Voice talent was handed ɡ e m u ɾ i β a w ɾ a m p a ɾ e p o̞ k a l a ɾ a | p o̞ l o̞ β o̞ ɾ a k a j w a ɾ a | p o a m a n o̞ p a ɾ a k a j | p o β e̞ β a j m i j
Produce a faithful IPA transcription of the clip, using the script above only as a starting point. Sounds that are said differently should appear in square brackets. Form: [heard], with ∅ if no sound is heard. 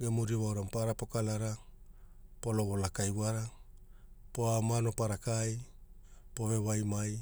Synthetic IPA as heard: ɡ e m u ɾ i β a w ɾ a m p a ɾ [a] p o̞ k a l a ɾ a | p o̞ l o̞ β o̞ [l] a k a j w a ɾ a | p o a m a n o̞ p a ɾ a k a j | p o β e̞ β a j m [a] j